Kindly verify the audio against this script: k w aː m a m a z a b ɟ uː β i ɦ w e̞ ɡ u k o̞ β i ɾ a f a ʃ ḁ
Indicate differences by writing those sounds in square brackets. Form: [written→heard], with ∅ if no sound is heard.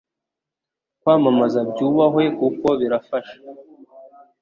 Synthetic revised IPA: k w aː m a m a z a b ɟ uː β [i→a] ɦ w e̞ [ɡ→k] u k o̞ β i ɾ a f a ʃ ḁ